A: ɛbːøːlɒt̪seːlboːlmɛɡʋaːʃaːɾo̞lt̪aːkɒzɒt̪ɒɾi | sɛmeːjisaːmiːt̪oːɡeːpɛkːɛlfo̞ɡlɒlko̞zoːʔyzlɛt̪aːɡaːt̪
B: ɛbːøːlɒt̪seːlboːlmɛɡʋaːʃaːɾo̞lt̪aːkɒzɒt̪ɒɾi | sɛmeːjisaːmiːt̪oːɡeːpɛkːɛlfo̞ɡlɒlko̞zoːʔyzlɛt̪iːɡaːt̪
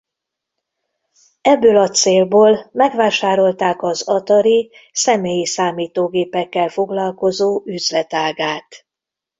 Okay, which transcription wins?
A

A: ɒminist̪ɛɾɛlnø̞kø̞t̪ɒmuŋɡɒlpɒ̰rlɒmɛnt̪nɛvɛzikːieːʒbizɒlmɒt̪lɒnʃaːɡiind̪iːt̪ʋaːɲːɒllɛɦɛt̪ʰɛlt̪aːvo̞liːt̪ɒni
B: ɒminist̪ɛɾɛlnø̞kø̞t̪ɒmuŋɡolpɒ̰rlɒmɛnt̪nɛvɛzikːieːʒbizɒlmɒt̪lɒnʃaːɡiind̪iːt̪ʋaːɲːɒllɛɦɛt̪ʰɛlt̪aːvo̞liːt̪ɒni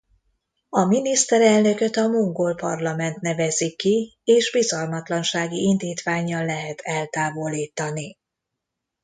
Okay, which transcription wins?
B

